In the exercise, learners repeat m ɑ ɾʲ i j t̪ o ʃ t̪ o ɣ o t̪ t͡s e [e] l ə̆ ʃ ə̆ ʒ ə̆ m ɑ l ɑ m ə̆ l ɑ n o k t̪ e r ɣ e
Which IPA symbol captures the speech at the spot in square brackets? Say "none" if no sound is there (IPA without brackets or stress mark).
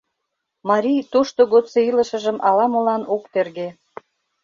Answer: i